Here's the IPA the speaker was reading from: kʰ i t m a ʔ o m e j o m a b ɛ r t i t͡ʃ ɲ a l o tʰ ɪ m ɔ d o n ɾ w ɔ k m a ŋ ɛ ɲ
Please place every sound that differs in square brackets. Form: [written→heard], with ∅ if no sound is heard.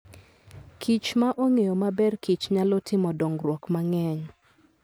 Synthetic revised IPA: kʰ i [t→t͡ʃ] m a ʔ o [m→ŋ] e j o m a b ɛ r [t→k] i t͡ʃ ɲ a l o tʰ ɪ m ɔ d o [n→ŋ] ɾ w ɔ k m a ŋ ɛ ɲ